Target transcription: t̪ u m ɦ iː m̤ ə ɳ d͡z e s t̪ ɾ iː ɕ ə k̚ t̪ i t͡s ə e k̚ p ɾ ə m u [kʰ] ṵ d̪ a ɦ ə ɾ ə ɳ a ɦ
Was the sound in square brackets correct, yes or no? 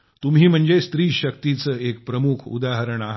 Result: yes